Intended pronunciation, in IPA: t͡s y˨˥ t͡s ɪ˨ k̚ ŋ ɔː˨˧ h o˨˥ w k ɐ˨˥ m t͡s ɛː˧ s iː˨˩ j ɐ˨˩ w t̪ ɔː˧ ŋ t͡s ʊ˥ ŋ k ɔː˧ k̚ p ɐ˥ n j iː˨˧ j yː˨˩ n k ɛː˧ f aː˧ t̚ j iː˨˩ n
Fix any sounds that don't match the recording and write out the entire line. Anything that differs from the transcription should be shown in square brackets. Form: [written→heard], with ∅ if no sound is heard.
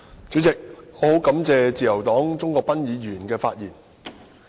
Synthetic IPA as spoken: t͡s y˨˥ t͡s ɪ˨ k̚ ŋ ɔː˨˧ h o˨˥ w k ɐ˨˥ m t͡s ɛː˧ [s→t͡s] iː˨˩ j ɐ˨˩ w t̪ [ɔː˧→ɔː˨˥] ŋ t͡s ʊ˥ ŋ k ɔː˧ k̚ p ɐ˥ n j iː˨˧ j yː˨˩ n k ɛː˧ f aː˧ t̚ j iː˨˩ n